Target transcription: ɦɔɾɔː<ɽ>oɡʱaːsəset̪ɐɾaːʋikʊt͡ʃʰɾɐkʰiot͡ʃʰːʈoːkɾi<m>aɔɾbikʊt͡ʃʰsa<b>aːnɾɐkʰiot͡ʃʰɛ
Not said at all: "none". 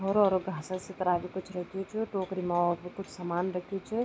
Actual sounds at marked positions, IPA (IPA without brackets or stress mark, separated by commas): ɾ, m, m